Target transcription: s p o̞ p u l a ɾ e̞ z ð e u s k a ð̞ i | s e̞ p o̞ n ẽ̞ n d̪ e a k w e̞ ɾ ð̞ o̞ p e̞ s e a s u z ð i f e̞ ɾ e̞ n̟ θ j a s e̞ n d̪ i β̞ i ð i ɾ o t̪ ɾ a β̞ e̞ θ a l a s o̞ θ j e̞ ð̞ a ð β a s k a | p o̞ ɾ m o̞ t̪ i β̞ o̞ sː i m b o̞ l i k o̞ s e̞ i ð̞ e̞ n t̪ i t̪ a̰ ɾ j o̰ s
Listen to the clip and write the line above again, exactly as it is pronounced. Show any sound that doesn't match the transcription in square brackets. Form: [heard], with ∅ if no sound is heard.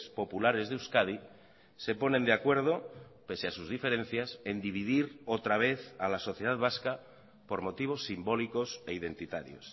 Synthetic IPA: s p o̞ p u l a ɾ e̞ z ð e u s k a ð̞ i | s e̞ p o̞ n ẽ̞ n d̪ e a k w e̞ ɾ ð̞ o̞ p e̞ s e a s u z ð i f e̞ ɾ e̞ n̟ θ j a s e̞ n d̪ i β̞ i ð i ɾ o t̪ ɾ a β̞ e̞ θ a l a s o̞ θ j e̞ ð̞ a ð β a s k a | p o̞ ɾ m o̞ t̪ i β̞ o̞ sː i m b o̞ l i k o̞ s e̞ i ð̞ e̞ n t̪ i t̪ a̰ ɾ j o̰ s